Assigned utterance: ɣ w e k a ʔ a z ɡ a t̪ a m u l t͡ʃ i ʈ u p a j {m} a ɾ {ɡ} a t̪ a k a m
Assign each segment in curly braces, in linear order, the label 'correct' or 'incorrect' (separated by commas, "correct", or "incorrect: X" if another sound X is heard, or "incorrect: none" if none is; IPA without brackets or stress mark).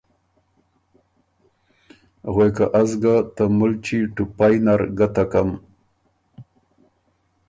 incorrect: n, correct